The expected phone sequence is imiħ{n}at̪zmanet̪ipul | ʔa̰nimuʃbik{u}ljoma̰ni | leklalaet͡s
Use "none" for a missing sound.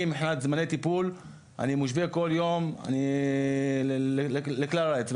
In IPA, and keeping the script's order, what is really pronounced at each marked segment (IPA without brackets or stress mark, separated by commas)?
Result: n, o